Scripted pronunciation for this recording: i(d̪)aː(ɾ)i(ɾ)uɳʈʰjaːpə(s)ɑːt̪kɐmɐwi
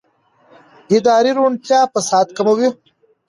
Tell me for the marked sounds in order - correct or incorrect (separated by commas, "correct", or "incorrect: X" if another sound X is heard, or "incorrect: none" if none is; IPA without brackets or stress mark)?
correct, correct, correct, correct